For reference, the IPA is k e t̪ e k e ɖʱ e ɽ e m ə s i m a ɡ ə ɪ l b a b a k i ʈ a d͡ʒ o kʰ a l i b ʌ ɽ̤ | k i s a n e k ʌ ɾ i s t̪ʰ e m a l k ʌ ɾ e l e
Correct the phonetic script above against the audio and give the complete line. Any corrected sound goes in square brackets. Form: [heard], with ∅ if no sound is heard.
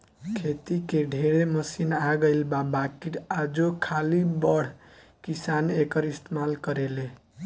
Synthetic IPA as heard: [kʰ] e t̪ [i] k e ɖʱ e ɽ e m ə s i [n] a ɡ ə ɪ l b a b a k i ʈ a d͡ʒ o kʰ a l i b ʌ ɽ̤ | k i s a n e k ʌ ɾ i s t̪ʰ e m a l k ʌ ɾ e l e

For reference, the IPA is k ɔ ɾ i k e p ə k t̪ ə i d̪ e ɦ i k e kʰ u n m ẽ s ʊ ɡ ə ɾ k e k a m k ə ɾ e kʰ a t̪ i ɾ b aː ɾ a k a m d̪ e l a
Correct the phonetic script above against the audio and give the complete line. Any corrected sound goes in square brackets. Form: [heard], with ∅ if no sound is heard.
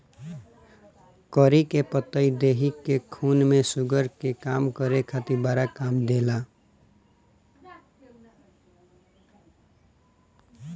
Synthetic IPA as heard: k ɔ ɾ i k e p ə [∅] t̪ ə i d̪ e ɦ i k e kʰ u n m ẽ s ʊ ɡ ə ɾ k e k a m k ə ɾ e kʰ a t̪ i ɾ b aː ɾ a k a m d̪ e l a

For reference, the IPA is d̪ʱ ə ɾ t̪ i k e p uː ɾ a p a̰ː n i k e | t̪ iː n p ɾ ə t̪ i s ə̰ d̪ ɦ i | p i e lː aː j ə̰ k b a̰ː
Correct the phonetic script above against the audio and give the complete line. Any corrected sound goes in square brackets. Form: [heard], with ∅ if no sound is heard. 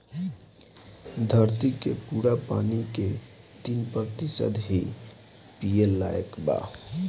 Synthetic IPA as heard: d̪ʱ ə ɾ t̪ i k e p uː ɾ a p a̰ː n i k e | t̪ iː n p ɾ ə t̪ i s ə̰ d̪ ɦ i | p i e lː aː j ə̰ k b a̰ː

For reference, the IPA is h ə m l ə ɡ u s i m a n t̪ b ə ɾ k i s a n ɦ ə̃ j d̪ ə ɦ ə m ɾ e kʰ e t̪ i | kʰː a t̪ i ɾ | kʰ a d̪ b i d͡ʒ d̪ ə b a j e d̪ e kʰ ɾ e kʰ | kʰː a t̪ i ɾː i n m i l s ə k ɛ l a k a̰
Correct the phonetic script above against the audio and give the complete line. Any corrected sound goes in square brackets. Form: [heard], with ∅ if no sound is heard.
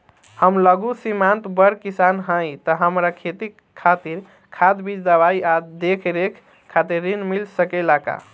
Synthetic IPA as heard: h ə m l ə ɡ u s i m a n t̪ b ə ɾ k i s a n ɦ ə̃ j [t̪] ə ɦ ə m ɾ [a] kʰ e t̪ i | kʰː a t̪ i ɾ | kʰ a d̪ b i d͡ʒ d̪ ə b a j [a] d̪ e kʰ ɾ e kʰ | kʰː a t̪ i ɾː i n m i l s ə k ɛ l a k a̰

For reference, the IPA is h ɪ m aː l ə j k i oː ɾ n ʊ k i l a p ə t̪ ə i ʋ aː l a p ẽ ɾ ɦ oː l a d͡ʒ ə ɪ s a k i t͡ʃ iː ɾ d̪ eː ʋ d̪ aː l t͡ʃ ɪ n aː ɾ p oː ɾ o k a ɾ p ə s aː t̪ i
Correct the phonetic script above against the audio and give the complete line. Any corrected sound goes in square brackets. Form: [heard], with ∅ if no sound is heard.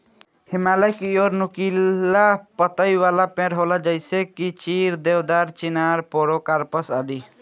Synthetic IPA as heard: h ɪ m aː l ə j k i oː ɾ n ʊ k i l a p ə t̪ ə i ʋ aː l a p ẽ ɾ ɦ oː l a d͡ʒ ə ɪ s [e] k i t͡ʃ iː ɾ d̪ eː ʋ d̪ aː [ɾ] t͡ʃ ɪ n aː ɾ p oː ɾ o k a ɾ p ə s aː [d̪] i

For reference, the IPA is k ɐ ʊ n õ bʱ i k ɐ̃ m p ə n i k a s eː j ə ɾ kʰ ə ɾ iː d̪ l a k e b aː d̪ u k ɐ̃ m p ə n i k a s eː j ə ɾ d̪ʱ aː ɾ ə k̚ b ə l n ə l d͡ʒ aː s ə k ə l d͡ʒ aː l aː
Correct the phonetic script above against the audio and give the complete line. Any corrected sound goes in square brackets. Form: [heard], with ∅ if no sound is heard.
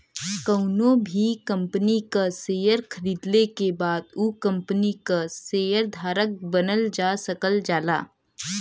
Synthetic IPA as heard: k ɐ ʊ n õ bʱ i k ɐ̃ m p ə n i k a s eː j ə ɾ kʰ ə ɾ iː d̪ l [e] k e b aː d̪ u k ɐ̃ m p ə n i k a s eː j ə ɾ d̪ʱ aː ɾ ə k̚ b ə [∅] n ə l d͡ʒ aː s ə k ə l d͡ʒ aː l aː

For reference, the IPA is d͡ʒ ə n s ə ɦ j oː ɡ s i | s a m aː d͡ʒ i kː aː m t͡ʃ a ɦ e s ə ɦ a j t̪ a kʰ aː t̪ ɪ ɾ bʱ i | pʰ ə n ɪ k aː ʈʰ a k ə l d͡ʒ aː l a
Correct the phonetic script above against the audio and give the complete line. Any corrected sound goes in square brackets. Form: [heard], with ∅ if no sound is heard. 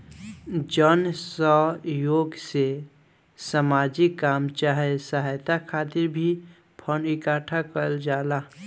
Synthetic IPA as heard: d͡ʒ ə n s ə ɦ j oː ɡ s [e] | s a m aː d͡ʒ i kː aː m t͡ʃ a ɦ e s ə ɦ a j t̪ a kʰ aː t̪ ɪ ɾ bʱ i | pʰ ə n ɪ k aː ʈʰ a k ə l d͡ʒ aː l a

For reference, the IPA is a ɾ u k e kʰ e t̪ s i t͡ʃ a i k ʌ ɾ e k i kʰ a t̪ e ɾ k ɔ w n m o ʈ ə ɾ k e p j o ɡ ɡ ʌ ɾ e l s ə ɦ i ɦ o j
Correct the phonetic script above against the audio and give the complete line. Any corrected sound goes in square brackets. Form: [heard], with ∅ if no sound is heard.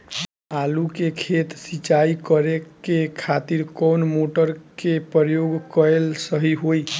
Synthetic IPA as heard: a [l] u k e kʰ e t̪ s i t͡ʃ a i k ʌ ɾ e k [e] kʰ a t̪ [i] ɾ k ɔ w n m o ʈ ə ɾ k e p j o ɡ [k] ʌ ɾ e l s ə ɦ i ɦ o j

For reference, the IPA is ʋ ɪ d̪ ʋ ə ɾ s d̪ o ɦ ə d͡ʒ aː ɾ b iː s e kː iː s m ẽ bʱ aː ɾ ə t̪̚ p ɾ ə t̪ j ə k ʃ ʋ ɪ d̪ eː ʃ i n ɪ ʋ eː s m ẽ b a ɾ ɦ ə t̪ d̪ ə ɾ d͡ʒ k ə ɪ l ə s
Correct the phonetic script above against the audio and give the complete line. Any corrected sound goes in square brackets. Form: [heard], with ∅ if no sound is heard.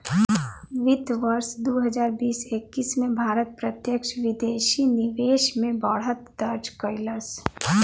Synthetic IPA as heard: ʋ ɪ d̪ ʋ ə ɾ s d̪ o ɦ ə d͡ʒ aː ɾ b iː s e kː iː s m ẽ bʱ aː ɾ ə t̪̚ p ɾ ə t̪ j ə k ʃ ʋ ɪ d̪ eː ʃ i n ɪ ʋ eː [ʃ] m ẽ b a [ɽ] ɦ ə t̪ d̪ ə ɾ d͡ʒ k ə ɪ l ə s

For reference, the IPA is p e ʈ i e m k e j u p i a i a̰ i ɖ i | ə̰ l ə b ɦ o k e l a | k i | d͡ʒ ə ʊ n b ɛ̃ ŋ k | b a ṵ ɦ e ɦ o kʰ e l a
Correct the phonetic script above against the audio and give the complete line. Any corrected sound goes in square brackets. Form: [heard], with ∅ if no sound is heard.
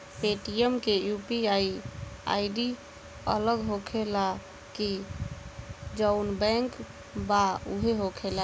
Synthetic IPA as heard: p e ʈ i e m k e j u p i a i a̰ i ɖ i | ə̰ l ə [ɡ] ɦ o [kʰ] e l a | k i | d͡ʒ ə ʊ n b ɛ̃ ŋ k | b a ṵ ɦ e ɦ o kʰ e l a

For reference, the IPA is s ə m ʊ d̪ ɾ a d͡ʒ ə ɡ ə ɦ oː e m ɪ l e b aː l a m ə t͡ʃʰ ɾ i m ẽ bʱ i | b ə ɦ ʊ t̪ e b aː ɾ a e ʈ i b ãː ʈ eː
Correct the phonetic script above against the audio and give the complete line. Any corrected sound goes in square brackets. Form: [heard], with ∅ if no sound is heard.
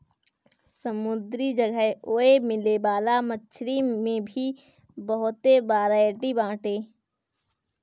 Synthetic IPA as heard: s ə m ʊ d̪ ɾ [i] d͡ʒ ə ɡ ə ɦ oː e m ɪ l e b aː l a m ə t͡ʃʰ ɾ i m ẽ bʱ i | b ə ɦ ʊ t̪ e b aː ɾ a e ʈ i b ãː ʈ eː

